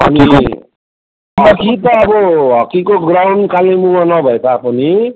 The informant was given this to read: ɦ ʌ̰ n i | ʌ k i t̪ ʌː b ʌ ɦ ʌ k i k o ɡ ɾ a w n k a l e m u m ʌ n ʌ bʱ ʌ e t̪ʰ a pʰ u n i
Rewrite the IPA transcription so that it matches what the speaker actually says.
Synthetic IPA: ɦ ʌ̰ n i | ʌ k i t̪ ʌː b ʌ ɦ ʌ k i k o ɡ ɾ a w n k a l e m u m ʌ n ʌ bʱ ʌ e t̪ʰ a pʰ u n i